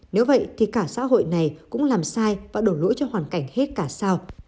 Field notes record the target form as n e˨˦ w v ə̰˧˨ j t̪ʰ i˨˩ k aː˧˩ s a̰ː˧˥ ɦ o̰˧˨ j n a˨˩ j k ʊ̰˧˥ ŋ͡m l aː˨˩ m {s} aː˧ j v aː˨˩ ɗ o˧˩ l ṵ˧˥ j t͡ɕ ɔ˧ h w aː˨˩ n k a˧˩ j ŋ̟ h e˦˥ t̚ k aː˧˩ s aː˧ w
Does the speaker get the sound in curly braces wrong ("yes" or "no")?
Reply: no